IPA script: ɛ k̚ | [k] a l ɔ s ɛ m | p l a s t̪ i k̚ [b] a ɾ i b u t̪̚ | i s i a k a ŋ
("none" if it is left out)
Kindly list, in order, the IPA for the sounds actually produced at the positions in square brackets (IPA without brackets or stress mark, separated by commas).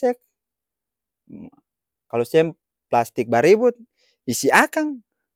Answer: k, b